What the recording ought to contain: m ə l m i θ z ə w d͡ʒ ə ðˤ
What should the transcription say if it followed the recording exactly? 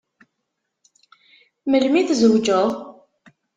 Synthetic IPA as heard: m ə l m i θ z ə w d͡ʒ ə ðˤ